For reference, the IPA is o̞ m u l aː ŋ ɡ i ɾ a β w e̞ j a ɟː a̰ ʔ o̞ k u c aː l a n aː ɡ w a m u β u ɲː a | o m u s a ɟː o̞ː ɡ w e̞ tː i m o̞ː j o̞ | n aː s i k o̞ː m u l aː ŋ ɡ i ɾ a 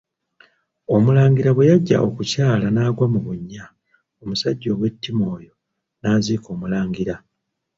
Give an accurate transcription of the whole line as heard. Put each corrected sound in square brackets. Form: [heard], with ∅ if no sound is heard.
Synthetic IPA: o̞ m u l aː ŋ ɡ i ɾ a β w e̞ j a ɟː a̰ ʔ o̞ k u c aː l a n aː ɡ w a m u β u ɲː a | o m u s a ɟː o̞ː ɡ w e̞ tː i m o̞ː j o̞ | n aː [z] i k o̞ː m u l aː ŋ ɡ i ɾ a